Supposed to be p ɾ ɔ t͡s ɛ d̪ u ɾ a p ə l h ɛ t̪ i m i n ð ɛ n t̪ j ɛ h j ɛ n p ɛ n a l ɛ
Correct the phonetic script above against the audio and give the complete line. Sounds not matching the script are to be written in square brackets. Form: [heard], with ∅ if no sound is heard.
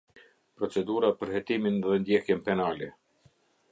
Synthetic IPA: p ɾ ɔ t͡s ɛ d̪ u ɾ a p ə [ɾ] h ɛ t̪ i m i n ð ɛ n [d̪] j ɛ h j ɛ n p ɛ n a l ɛ